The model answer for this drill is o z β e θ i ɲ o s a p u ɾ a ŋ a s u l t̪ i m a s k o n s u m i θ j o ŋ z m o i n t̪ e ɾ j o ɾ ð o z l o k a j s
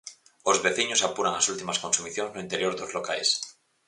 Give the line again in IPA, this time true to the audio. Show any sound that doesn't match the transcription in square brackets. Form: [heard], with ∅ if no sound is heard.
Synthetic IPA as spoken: o z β e θ i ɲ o s a p u ɾ a ŋ a s u l t̪ i m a s k o n s u m i θ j o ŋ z [n] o i n t̪ e ɾ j o ɾ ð o z l o k a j s